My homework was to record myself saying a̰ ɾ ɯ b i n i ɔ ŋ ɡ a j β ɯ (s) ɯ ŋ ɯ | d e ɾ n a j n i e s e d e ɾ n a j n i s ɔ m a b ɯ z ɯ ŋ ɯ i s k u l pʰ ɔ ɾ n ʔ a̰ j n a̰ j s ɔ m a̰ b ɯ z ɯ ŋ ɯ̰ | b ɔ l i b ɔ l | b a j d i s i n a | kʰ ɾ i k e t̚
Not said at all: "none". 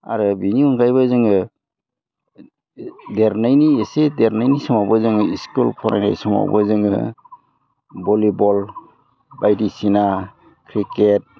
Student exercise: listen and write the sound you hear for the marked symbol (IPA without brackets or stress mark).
z